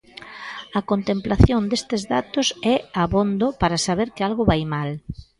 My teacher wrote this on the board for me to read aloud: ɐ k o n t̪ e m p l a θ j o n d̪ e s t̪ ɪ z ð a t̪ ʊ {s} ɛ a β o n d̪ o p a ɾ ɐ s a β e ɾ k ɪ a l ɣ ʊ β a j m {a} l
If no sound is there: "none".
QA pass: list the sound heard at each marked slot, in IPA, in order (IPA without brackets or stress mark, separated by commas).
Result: s, a